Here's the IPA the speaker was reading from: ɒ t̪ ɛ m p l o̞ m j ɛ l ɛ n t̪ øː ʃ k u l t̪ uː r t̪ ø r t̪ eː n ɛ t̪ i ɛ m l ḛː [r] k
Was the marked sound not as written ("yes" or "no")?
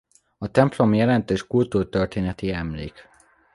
yes